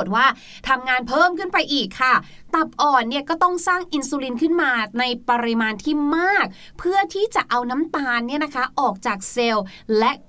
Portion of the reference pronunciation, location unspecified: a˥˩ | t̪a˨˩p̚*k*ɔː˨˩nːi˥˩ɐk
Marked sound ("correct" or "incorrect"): incorrect